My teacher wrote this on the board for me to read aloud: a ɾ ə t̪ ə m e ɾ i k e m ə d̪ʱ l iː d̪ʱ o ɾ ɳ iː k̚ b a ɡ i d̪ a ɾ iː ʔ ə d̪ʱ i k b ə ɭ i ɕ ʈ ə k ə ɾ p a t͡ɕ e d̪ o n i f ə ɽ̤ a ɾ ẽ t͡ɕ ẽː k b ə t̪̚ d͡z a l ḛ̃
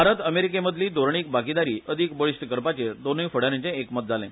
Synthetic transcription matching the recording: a ɾ ə t̪ ə m e ɾ i k e m ə d̪ʱ l iː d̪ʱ o ɾ ɳ iː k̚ b a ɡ i d̪ a ɾ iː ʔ ə d̪ʱ i k b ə ɭ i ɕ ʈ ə k ə ɾ p a t͡ɕ e d̪ o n i f ə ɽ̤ a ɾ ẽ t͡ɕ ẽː k m ə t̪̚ d͡z a l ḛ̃